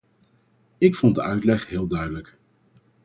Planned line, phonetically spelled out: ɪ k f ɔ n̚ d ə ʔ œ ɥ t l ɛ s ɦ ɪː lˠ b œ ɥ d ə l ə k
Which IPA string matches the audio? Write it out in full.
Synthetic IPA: ɪ k f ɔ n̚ d ə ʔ œ ɥ t l ɛ χ ɦ ɪː lˠ d œ ɥ d ə l ə k